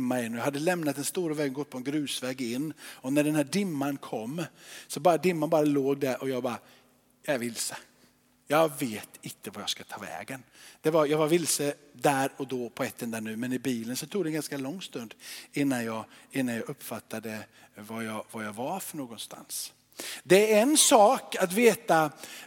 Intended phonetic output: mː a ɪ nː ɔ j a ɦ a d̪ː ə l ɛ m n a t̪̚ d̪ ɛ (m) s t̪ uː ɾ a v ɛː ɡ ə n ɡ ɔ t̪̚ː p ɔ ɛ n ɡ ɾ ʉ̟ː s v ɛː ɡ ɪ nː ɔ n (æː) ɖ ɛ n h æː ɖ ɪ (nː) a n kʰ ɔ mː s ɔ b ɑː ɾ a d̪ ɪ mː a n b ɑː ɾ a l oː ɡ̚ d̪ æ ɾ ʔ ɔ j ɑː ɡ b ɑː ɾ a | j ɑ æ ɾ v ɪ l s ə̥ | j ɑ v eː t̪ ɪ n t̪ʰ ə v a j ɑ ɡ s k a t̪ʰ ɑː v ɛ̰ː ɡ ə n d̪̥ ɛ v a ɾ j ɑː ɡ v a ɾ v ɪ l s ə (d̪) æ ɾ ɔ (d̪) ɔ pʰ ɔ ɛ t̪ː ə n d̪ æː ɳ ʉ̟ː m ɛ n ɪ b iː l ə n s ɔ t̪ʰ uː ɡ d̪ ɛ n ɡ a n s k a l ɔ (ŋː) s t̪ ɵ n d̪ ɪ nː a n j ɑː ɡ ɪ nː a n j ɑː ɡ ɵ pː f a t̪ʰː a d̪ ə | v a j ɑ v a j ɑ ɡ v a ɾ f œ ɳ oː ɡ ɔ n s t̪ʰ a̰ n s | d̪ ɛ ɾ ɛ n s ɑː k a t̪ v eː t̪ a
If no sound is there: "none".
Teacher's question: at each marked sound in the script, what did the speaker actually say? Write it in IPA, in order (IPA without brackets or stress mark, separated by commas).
n, æ, mː, d̪, d̪, ŋː